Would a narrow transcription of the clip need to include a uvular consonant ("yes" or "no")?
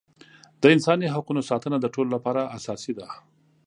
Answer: yes